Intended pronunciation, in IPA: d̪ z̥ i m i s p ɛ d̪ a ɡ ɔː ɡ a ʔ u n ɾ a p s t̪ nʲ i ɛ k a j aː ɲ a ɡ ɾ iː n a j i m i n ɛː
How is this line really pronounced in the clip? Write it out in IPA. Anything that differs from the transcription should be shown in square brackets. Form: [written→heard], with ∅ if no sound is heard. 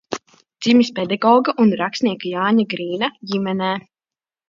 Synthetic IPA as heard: d̪ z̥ i m i s p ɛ d̪ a ɡ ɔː ɡ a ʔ u n ɾ a [p→k] s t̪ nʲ i ɛ k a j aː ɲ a ɡ ɾ iː n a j i m [i→ɛ] n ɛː